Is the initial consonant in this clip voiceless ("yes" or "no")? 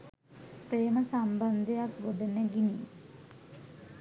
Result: yes